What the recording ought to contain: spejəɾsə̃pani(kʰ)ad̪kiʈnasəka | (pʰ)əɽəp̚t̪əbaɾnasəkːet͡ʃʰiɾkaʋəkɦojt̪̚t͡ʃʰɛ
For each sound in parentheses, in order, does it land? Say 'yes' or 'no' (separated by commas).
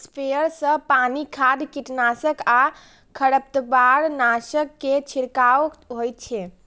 yes, no